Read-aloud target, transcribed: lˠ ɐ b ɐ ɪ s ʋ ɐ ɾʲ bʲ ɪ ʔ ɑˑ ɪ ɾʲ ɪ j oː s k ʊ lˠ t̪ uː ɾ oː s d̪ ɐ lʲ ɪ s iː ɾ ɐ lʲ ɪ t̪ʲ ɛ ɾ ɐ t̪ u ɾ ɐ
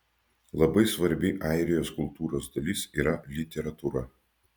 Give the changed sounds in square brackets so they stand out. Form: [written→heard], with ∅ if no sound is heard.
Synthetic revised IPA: lˠ ɐ b ɐ ɪ s ʋ ɐ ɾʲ bʲ ɪ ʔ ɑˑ ɪ ɾʲ ɪ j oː s k ʊ lˠ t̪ uː ɾ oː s d̪ ɐ lʲ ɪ s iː ɾ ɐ lʲ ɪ t̪ʲ ɛ ɾ ɐ t̪ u ɾ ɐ